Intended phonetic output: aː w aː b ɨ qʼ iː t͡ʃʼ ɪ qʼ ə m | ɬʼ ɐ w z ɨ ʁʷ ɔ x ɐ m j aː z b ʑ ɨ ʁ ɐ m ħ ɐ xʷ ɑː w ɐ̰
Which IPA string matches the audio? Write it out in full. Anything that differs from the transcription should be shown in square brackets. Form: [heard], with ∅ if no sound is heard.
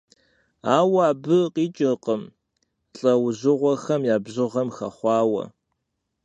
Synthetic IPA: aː w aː b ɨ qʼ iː t͡ʃʼ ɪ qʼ ə m | ɬʼ ɐ w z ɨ ʁʷ ɔ x ɐ m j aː [∅] b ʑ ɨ ʁ ɐ m [x] ɐ [χʷ] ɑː w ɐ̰